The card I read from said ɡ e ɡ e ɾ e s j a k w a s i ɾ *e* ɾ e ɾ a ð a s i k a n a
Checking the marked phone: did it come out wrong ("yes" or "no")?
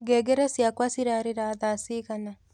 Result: yes